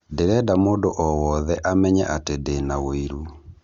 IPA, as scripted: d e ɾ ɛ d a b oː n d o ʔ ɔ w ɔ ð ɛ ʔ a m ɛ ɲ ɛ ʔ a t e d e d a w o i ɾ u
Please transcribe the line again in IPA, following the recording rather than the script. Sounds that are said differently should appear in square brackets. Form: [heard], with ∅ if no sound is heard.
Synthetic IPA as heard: d e ɾ ɛ d a [m] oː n d o ʔ ɔ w ɔ ð ɛ ʔ a m ɛ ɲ ɛ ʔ a t e d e [n] a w o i ɾ u